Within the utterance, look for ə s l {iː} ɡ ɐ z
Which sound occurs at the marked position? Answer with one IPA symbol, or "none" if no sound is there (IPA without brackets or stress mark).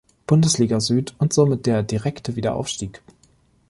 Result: iː